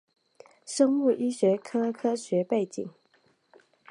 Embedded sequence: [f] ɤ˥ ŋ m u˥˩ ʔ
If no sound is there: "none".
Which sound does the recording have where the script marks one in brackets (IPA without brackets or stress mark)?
ʂ